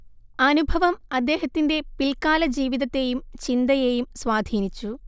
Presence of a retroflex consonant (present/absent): absent